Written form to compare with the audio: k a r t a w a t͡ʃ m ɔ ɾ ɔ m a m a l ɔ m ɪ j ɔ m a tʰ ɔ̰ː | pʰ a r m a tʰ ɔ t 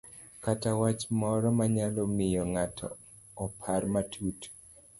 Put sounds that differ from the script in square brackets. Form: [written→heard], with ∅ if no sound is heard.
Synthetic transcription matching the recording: k a [r→∅] t a w a t͡ʃ m ɔ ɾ ɔ m a [m→ɲ] a l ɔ m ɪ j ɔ [m→ŋ] a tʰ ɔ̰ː | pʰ a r m a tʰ [ɔ→u] t